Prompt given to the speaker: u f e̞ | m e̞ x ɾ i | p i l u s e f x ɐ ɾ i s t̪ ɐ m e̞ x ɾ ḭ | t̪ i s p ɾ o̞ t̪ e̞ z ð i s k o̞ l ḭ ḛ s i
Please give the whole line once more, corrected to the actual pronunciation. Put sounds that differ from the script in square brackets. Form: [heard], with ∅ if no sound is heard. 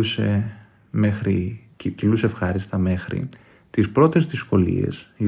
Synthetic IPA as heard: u [s] e̞ | m e̞ x ɾ i | [c] i l u s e f x ɐ ɾ i s t̪ ɐ m e̞ x ɾ ḭ | t̪ i s p ɾ o̞ t̪ e̞ z ð i s k o̞ l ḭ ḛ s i